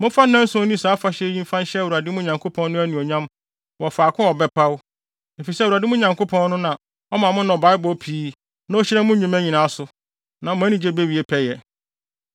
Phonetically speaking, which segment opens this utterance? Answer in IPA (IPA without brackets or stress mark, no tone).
m